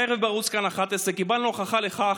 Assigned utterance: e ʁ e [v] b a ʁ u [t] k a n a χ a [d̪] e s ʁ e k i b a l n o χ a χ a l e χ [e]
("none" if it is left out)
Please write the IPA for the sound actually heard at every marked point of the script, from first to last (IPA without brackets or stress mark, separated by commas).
v, t͡s, t̪, a